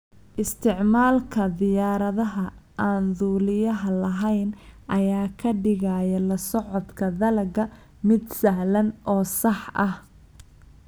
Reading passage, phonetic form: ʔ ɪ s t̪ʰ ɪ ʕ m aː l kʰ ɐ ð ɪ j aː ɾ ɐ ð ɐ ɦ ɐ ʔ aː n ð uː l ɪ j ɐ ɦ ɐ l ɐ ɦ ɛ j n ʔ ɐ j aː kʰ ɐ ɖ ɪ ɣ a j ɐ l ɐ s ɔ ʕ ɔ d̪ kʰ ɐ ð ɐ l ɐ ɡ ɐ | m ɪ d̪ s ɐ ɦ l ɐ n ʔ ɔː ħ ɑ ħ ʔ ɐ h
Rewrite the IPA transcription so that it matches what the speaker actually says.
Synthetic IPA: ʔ ɪ s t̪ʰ ɪ ʕ m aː l kʰ ɐ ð ɪ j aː ɾ ɐ ð ɐ ɦ ɐ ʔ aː n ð uː l ɪ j ɐ ɦ ɐ l ɐ ɦ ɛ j n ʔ ɐ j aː kʰ ɐ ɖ ɪ ɣ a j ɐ l ɐ s ɔ ʕ ɔ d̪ kʰ ɐ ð ɐ l ɐ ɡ ɐ | m ɪ d̪ s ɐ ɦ l ɐ n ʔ ɔː s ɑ ħ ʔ ɐ h